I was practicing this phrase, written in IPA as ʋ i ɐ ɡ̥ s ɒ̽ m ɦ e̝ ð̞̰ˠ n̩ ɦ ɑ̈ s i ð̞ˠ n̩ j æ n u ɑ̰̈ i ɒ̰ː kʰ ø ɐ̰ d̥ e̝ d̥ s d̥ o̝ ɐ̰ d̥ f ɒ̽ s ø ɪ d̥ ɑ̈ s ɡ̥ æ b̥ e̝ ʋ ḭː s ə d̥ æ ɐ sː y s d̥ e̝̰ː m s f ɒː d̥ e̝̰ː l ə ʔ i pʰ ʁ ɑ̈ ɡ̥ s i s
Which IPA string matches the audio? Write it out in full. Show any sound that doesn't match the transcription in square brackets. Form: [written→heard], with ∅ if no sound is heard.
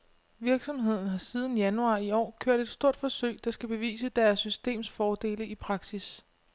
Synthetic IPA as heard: ʋ i ɐ ɡ̥ s ɒ̽ m ɦ e̝ ð̞̰ˠ n̩ ɦ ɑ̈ s i ð̞ˠ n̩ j æ n u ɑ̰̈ i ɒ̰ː kʰ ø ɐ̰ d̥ e̝ d̥ s d̥ o̝ ɐ̰ d̥ f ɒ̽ s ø ɪ d̥ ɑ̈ s ɡ̥ æ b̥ e̝ ʋ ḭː s ə d̥ æ ɐ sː y s d̥ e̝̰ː m s f ɒː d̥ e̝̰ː l ə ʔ i pʰ ʁ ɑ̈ ɡ̥ s i s